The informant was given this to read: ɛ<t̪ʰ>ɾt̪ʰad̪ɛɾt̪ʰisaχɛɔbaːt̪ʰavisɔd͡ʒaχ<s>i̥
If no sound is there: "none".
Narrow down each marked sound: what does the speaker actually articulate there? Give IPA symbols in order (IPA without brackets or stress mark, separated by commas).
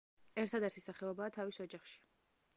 none, ʃ